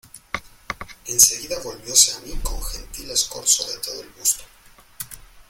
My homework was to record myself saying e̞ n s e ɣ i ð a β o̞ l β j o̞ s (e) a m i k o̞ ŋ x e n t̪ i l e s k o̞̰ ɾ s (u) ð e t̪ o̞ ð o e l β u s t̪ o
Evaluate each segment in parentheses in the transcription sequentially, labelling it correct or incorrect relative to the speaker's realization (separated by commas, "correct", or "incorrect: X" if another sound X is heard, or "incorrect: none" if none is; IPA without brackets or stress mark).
correct, incorrect: o